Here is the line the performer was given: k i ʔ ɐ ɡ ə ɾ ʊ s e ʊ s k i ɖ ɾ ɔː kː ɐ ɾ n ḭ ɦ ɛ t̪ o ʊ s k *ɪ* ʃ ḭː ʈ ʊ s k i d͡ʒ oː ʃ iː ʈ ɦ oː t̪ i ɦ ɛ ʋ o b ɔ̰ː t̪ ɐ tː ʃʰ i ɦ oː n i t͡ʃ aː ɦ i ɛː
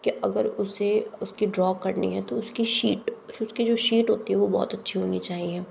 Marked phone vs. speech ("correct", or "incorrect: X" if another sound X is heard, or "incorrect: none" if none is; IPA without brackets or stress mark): incorrect: i